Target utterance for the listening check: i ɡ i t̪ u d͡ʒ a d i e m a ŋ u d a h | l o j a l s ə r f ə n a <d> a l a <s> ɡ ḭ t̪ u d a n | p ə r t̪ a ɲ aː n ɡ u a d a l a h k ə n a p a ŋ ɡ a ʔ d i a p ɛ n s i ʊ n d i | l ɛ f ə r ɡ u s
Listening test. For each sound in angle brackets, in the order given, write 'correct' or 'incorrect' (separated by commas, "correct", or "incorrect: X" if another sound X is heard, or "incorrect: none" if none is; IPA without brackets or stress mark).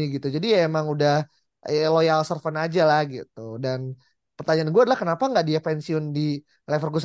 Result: incorrect: d͡ʒ, incorrect: h